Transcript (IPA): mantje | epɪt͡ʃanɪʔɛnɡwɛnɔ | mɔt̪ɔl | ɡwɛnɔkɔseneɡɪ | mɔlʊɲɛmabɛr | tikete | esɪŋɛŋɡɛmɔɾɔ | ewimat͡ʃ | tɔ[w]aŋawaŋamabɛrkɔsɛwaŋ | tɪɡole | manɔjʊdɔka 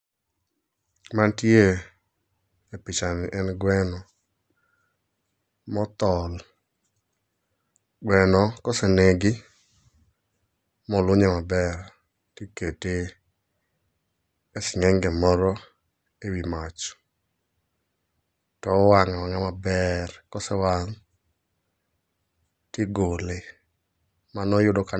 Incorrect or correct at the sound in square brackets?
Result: correct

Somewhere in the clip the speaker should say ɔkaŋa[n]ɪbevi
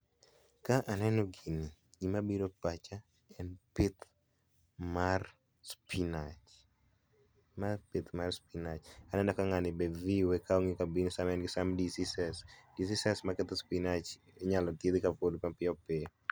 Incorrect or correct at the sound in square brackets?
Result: correct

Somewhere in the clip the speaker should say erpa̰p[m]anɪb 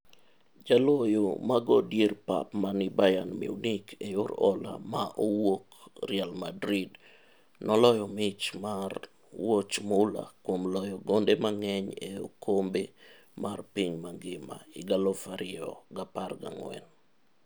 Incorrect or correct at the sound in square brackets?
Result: correct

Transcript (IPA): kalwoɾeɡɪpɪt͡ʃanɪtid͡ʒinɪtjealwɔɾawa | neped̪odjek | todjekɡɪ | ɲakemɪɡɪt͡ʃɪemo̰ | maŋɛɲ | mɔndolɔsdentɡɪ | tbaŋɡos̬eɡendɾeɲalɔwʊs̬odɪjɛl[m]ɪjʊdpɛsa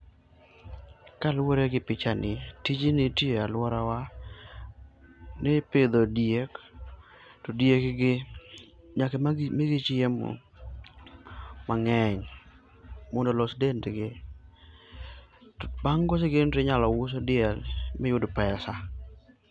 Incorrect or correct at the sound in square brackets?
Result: correct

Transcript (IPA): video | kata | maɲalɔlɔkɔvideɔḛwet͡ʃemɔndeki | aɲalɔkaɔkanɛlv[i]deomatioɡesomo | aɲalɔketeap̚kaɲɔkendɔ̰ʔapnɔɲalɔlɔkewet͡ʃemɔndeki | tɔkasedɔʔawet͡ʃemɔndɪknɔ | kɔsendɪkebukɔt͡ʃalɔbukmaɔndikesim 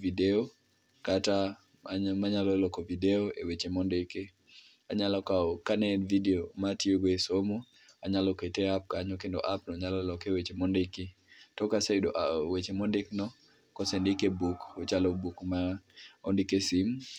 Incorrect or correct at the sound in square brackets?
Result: correct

